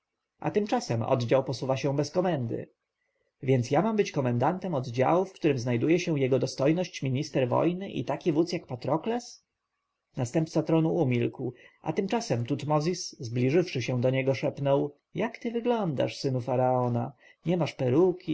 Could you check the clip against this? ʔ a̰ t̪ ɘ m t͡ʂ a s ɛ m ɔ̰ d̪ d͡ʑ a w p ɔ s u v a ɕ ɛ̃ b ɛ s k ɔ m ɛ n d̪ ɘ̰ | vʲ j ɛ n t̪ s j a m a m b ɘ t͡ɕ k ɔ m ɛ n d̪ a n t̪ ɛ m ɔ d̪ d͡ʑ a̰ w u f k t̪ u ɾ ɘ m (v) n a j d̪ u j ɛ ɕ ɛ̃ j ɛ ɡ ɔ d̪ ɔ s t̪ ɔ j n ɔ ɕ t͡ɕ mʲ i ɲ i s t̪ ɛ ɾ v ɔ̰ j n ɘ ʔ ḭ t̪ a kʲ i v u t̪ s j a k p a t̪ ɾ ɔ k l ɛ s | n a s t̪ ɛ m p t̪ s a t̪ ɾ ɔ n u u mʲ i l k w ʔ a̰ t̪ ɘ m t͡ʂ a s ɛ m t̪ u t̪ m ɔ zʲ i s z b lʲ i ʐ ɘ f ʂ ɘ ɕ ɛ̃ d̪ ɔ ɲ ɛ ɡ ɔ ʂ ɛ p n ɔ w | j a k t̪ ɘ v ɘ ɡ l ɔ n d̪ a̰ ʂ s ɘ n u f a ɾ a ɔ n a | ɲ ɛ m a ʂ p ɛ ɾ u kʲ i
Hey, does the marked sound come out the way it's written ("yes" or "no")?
no